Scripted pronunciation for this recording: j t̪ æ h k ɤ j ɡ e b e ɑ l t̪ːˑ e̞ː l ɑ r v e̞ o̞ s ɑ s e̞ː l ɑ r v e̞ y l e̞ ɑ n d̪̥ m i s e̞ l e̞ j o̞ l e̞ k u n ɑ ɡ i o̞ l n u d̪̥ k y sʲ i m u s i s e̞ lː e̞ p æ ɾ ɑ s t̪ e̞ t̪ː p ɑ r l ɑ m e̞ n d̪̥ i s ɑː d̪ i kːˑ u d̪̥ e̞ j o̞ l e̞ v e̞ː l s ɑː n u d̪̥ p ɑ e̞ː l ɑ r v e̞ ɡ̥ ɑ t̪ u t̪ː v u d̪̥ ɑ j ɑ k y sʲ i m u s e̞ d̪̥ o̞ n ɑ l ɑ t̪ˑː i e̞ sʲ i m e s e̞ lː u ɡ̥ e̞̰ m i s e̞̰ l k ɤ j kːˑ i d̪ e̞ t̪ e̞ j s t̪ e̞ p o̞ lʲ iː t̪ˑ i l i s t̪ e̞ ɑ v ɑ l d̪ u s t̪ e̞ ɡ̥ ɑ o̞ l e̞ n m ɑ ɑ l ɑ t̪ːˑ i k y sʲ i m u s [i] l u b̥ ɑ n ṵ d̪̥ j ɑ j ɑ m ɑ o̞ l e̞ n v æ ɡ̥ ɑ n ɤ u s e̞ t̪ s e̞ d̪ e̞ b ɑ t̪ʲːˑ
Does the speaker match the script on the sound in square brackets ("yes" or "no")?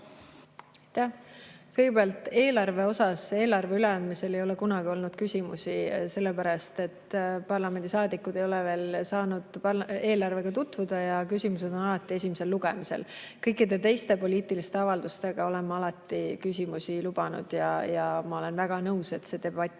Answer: yes